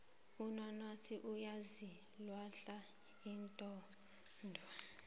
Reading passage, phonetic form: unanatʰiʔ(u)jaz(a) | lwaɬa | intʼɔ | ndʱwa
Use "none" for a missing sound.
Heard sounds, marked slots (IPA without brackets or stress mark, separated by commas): u, i